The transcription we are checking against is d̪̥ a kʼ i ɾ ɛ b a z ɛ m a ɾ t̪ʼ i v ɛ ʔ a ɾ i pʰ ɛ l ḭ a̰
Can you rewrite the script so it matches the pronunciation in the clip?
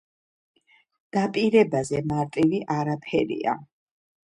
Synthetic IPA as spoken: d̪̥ a pʼ i ɾ ɛ b a z ɛ m a ɾ t̪ʼ i v i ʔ a ɾ a pʰ ɛ ɾ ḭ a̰